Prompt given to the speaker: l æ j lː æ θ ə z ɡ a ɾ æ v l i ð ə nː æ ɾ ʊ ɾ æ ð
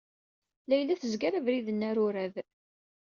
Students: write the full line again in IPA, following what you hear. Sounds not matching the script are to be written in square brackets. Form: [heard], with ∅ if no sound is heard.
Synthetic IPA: l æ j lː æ θ ə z ɡ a ɾ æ v [ɾ] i ð ə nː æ ɾ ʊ ɾ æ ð